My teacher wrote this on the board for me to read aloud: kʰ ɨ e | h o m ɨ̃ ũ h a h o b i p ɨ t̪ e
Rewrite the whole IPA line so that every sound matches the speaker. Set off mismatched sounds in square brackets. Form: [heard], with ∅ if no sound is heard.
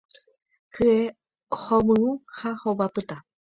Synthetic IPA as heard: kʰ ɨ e | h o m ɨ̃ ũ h a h o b [a] p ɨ t̪ [a]